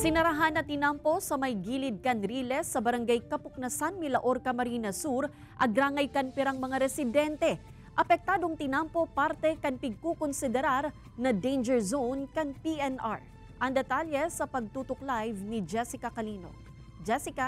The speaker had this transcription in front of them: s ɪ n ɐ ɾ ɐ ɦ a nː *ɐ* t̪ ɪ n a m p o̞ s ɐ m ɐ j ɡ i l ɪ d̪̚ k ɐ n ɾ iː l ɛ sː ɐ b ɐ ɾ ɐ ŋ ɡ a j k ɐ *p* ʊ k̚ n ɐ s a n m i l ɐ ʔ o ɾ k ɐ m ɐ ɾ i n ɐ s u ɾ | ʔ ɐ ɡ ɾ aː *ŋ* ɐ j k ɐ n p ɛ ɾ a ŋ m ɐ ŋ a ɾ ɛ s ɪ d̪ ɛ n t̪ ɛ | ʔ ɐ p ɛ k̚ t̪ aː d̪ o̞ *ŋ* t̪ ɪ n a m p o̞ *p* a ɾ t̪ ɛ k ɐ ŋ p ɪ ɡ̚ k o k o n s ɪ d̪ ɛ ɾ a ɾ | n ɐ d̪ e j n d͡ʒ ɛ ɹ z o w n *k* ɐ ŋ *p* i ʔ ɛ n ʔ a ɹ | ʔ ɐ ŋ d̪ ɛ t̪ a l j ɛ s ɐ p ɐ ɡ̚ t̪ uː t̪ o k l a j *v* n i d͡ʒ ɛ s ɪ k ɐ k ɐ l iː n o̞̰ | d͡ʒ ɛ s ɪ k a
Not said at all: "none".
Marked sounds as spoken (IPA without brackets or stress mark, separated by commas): ɐ, p, ŋ, ŋ, p, k, p, v